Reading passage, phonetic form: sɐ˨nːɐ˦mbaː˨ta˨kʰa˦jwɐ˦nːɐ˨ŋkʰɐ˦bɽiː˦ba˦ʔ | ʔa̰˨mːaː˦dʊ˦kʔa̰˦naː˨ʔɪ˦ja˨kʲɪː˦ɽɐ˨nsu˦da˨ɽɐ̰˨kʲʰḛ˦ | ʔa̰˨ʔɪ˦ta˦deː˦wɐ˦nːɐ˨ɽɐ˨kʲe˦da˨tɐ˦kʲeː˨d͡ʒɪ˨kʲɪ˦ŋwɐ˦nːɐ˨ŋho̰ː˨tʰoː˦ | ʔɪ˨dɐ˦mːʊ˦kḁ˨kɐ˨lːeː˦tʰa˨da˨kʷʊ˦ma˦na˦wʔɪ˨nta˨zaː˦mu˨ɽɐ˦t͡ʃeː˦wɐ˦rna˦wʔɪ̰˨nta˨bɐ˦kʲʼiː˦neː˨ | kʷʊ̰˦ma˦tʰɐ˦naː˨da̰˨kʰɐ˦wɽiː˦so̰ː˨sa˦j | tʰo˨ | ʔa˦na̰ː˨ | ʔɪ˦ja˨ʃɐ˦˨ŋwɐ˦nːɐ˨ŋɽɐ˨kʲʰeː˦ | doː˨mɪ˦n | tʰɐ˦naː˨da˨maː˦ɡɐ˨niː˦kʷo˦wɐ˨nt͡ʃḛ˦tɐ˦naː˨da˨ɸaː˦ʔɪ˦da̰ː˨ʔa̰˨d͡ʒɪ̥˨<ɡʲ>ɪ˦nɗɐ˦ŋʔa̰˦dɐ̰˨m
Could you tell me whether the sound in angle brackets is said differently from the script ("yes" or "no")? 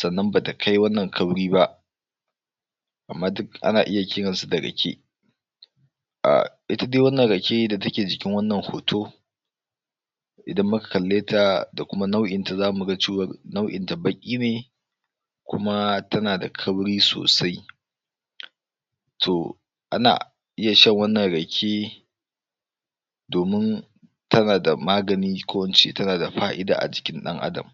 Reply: yes